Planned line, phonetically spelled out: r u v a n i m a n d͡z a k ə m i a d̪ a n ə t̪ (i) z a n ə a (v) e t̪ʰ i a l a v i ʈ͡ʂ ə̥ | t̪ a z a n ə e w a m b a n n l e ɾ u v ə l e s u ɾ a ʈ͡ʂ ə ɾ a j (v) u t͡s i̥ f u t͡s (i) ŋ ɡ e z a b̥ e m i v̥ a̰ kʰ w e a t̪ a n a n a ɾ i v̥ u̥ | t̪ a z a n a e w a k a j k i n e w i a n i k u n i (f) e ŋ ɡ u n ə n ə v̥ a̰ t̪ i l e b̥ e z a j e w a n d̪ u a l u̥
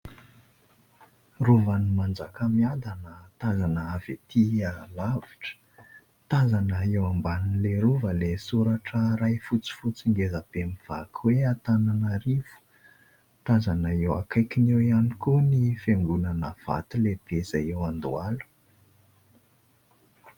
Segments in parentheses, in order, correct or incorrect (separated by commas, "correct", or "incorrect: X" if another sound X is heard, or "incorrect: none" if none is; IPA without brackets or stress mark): incorrect: a, correct, incorrect: f, correct, correct